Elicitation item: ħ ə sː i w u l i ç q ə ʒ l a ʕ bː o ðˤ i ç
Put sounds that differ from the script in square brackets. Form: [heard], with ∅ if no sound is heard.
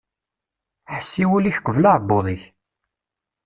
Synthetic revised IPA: ħ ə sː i w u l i ç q ə [v] l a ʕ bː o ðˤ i ç